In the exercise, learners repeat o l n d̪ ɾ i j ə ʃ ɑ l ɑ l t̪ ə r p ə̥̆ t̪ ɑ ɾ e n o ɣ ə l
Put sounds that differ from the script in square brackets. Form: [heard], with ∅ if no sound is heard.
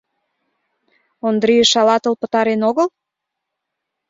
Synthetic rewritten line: o [∅] n d̪ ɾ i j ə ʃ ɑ l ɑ [∅] t̪ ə [l] p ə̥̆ t̪ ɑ ɾ e n o ɣ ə l